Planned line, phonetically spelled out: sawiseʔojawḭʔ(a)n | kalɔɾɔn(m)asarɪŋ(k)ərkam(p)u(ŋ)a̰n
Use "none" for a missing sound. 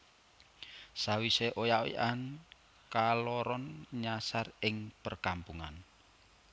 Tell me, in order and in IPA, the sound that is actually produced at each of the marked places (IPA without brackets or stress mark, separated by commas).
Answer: a, ɲ, p, p, ŋ